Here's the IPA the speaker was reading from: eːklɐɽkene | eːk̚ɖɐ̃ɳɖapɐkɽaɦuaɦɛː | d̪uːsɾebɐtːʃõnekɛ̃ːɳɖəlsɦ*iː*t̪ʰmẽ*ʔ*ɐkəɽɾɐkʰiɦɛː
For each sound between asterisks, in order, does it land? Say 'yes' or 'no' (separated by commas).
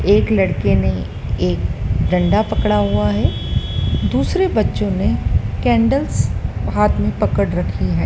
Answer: no, no